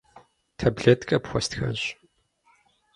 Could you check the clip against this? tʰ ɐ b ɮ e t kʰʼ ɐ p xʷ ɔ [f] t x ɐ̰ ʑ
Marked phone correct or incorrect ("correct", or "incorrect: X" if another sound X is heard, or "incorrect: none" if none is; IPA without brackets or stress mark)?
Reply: incorrect: s